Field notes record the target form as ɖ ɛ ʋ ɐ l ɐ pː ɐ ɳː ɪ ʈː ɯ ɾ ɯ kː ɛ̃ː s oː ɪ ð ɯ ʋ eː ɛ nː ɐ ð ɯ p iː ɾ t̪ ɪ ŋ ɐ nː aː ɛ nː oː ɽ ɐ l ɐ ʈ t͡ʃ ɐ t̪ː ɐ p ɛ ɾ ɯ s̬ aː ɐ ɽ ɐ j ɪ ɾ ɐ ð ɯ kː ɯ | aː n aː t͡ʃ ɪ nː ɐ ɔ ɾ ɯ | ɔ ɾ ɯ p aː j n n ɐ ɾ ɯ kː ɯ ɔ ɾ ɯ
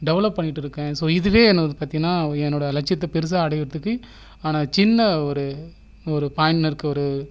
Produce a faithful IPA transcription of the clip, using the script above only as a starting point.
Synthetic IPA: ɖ ɛ ʋ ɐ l ɐ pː ɐ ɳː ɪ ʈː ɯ ɾ ɯ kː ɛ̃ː s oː ɪ ð ɯ ʋ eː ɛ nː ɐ ð ɯ p aː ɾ t̪ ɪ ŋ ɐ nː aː ɛ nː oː ɽ ɐ l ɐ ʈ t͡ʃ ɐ t̪ː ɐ p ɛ ɾ ɯ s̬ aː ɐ ɽ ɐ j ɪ ɾ ɐ ð ɯ kː ɯ | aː n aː t͡ʃ ɪ nː ɐ ɔ ɾ ɯ | ɔ ɾ ɯ p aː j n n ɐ ɾ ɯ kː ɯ ɔ ɾ ɯ